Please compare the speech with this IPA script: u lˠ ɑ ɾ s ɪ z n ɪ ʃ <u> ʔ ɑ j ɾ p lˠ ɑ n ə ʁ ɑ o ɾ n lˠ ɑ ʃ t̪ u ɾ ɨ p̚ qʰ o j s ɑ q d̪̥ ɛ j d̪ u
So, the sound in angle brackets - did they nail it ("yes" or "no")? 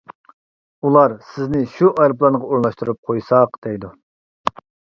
yes